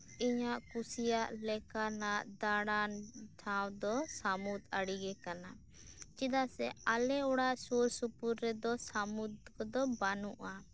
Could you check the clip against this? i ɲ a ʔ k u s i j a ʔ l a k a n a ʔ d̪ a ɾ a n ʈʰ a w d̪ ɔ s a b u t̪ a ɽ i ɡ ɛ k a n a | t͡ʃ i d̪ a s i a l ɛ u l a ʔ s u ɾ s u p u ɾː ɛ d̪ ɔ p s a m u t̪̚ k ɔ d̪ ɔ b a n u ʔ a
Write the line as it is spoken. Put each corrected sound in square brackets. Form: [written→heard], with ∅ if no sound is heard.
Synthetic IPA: i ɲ a ʔ k u s i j a ʔ l [a→ɛ] k a n a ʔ d̪ a [ɾ→ɽ] a n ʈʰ a w d̪ ɔ s a [b→m] u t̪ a ɽ i ɡ ɛ k a n a | t͡ʃ i d̪ a s [i→ɛ] a l ɛ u [l→ɽ] a ʔ s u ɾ s u p u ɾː ɛ d̪ ɔ [p→∅] s a m u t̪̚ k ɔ d̪ ɔ b a n u ʔ a